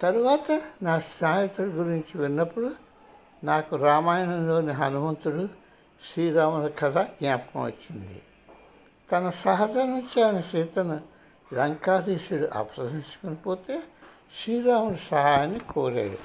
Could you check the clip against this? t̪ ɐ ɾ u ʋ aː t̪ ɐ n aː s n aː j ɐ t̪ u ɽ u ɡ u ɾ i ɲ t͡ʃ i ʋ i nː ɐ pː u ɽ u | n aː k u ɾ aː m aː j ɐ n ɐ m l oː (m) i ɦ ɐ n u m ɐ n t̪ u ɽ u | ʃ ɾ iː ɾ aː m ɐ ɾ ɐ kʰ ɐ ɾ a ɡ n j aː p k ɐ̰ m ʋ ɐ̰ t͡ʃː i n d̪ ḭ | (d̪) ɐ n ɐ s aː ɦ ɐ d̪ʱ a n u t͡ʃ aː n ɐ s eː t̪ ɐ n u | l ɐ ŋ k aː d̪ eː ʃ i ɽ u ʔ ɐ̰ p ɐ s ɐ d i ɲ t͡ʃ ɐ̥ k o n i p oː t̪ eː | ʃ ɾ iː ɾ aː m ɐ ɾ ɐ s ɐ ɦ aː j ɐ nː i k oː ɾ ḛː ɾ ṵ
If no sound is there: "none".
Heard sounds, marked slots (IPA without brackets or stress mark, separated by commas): n, t̪